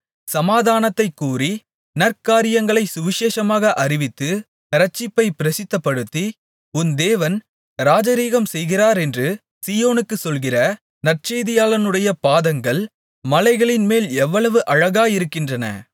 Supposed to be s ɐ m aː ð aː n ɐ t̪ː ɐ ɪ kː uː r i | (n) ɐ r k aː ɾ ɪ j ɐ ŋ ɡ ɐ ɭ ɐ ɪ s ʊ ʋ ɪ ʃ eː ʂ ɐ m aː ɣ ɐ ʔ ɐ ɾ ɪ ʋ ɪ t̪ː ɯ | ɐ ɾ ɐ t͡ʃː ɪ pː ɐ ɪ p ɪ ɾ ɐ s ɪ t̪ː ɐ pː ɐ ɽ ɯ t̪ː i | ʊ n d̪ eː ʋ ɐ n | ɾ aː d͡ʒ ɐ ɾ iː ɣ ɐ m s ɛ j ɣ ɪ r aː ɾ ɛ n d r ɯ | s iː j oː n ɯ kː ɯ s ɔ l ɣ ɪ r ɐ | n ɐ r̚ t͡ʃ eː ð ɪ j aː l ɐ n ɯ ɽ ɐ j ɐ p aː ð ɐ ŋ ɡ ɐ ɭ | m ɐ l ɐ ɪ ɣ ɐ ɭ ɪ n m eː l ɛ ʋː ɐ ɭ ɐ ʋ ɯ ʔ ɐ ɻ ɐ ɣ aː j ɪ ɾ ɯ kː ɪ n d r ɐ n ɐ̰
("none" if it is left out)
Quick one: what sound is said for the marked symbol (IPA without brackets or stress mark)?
n